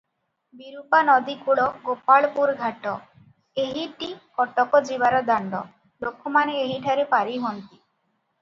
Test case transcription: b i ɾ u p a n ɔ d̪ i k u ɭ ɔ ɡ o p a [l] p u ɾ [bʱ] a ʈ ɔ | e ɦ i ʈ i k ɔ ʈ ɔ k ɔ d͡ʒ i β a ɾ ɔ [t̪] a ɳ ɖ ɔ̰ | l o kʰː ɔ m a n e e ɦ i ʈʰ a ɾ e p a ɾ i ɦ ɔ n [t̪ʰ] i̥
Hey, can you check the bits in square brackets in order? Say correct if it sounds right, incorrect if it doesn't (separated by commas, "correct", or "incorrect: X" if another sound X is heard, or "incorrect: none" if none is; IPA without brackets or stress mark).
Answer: incorrect: ɭ, incorrect: ɡʱ, incorrect: d̪, incorrect: t̪